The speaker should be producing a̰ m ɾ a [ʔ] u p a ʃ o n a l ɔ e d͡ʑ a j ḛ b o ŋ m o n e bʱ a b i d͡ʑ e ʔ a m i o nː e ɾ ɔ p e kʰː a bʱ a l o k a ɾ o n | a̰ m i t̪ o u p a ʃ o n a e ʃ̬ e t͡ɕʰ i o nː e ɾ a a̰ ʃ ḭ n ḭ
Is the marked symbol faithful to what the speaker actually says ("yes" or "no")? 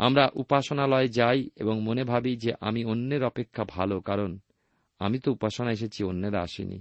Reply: yes